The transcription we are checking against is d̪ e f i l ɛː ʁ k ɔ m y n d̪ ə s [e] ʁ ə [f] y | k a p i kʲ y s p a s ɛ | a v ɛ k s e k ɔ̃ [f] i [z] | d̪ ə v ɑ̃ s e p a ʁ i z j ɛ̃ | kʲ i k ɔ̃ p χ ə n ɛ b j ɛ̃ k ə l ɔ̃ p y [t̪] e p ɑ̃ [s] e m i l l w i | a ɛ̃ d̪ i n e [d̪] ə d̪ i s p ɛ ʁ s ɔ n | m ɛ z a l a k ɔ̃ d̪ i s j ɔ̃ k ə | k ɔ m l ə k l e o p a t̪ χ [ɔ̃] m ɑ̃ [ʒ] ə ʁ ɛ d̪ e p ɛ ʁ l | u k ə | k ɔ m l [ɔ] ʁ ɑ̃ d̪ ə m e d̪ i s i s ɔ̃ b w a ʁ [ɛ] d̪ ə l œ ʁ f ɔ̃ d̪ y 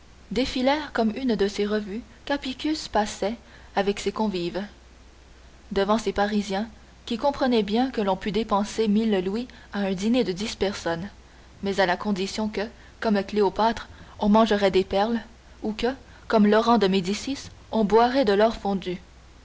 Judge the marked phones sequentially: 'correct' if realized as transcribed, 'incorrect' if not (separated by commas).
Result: correct, incorrect, incorrect, incorrect, incorrect, correct, correct, correct, correct, correct, correct